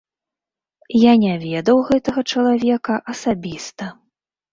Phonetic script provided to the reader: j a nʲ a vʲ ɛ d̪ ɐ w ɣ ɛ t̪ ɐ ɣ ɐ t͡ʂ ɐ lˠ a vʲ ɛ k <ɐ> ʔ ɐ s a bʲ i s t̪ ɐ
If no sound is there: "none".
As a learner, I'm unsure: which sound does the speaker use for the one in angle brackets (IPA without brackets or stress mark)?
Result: ɐ